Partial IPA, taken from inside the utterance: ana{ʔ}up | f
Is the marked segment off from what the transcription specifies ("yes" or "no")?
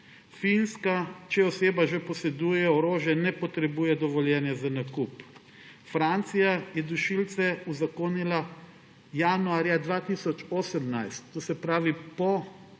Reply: yes